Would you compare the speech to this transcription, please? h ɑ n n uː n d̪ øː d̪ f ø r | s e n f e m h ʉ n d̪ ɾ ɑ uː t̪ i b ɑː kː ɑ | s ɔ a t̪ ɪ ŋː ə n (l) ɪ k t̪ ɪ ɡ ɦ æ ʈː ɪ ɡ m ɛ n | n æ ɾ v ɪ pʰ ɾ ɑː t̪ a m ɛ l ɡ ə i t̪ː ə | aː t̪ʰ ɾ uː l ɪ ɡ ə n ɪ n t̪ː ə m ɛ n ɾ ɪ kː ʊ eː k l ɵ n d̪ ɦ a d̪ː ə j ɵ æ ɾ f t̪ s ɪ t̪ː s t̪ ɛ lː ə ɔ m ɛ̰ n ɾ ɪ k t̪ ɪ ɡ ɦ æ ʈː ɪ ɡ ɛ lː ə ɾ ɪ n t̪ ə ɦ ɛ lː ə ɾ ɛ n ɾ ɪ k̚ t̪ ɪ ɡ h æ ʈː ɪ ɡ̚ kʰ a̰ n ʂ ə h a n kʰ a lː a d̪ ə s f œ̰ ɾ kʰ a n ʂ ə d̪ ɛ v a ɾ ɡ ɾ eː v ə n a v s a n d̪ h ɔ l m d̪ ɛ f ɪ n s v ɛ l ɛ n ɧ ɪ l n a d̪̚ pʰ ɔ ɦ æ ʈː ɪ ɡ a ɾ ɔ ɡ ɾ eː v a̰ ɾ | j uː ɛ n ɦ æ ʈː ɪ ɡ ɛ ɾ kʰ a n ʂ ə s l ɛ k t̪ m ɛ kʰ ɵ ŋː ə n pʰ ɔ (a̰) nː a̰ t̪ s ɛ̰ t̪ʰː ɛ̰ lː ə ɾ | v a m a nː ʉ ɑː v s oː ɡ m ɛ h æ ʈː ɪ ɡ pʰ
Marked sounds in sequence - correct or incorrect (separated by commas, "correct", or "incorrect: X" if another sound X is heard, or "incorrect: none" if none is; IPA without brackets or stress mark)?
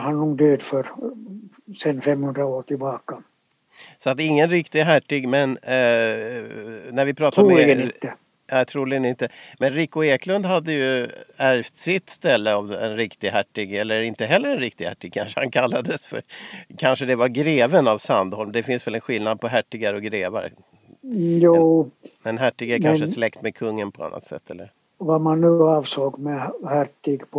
incorrect: ɾ, correct